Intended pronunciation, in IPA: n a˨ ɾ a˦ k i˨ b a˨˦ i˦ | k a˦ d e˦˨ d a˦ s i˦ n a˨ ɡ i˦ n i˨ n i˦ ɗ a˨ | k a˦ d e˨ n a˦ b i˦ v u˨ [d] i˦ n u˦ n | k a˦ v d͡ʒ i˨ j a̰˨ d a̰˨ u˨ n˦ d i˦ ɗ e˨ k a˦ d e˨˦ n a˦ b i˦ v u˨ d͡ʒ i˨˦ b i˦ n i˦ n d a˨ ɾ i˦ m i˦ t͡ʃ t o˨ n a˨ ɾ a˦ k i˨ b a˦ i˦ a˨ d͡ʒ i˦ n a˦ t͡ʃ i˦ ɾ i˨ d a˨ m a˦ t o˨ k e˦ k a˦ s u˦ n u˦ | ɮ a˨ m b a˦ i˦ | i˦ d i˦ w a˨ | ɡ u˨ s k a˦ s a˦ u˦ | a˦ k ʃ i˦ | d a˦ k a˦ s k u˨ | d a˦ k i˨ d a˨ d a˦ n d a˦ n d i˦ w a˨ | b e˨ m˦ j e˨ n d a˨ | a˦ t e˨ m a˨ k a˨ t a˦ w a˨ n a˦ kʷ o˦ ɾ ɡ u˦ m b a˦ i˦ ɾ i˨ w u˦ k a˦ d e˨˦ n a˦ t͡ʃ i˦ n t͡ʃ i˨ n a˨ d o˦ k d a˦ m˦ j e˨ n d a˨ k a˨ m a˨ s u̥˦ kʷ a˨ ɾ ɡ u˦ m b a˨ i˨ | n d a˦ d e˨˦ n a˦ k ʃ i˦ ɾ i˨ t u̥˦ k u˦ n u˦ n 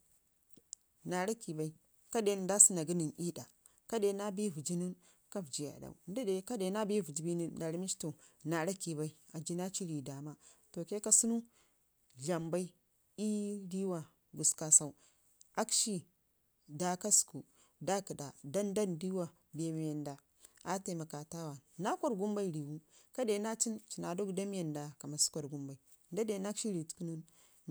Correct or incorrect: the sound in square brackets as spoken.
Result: incorrect: d͡ʒ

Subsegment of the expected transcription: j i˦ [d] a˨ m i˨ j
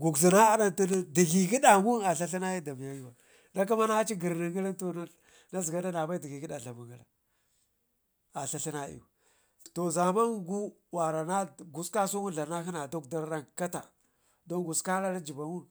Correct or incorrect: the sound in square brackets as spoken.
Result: correct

